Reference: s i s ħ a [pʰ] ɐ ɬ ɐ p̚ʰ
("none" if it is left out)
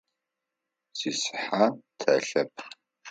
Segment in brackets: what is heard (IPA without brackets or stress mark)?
tʰ